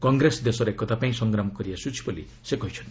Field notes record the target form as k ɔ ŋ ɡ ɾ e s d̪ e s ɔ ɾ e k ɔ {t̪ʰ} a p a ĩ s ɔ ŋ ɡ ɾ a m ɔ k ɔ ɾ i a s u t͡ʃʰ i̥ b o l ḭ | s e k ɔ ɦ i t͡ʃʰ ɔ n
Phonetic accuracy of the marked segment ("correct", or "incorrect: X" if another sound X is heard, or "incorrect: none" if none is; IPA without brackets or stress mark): incorrect: t̪